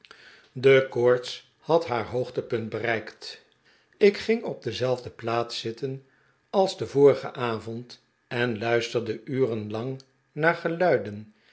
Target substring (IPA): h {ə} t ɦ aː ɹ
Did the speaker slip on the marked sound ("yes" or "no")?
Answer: yes